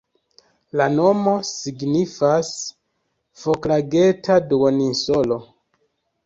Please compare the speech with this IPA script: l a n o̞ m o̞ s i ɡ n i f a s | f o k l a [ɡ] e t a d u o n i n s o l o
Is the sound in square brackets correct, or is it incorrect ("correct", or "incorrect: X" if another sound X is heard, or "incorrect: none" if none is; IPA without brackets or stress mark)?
correct